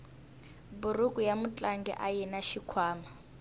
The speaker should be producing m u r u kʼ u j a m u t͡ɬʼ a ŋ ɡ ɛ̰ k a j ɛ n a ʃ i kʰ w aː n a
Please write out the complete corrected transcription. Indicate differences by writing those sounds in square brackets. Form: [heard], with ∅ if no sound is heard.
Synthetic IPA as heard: [b] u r u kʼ u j a m u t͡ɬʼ a ŋ ɡ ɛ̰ [ʔ] a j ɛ n a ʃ i kʰ w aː [m] a